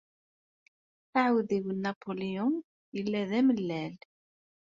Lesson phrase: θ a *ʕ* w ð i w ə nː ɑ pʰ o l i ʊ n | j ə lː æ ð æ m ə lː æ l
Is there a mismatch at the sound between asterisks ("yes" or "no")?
no